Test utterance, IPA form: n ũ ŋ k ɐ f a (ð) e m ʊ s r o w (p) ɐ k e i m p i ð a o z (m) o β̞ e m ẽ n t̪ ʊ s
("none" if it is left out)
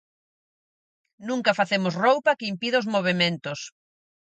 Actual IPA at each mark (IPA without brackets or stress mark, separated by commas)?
θ, p, m